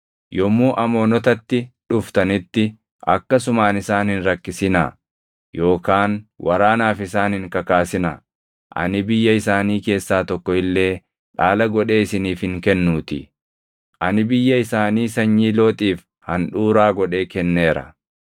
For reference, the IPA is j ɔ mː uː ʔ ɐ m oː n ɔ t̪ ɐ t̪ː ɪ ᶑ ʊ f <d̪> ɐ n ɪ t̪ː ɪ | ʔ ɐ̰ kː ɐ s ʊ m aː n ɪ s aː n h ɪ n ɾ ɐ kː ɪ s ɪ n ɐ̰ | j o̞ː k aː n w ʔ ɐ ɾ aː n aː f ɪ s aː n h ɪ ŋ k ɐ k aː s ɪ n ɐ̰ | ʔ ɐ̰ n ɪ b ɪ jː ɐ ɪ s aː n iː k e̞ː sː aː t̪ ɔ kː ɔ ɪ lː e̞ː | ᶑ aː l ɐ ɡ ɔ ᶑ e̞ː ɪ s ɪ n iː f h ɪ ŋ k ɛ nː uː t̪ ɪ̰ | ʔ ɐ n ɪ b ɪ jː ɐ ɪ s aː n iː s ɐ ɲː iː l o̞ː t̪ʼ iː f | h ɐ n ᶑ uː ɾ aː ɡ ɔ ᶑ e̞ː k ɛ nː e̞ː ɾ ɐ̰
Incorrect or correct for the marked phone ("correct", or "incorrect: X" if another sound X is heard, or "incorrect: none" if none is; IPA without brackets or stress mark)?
incorrect: t̪